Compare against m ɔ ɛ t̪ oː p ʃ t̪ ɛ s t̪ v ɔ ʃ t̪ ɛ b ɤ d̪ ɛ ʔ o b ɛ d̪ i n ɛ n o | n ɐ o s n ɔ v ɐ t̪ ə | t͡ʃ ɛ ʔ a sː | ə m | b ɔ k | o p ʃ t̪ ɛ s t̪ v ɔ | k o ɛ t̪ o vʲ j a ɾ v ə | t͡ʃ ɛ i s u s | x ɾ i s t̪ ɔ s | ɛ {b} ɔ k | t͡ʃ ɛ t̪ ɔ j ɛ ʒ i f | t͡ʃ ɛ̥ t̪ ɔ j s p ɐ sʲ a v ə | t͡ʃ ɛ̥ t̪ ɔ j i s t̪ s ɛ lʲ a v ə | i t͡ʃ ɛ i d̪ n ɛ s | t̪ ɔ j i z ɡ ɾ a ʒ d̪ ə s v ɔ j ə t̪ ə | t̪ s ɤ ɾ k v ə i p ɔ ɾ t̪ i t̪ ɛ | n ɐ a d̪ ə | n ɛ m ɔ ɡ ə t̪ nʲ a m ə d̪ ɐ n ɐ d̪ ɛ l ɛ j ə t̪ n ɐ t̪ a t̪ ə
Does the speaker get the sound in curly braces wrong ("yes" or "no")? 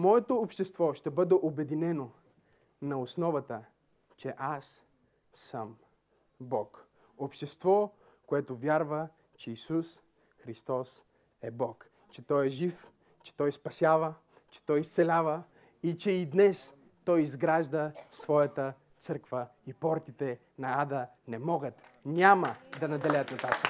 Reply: no